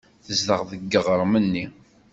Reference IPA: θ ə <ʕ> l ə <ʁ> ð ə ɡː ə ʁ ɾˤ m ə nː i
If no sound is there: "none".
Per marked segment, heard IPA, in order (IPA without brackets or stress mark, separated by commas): z, ʁ